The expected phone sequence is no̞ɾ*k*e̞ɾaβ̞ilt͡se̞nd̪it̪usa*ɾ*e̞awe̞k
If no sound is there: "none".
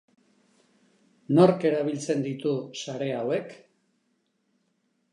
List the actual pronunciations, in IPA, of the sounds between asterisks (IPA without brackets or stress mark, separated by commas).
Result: k, ɾ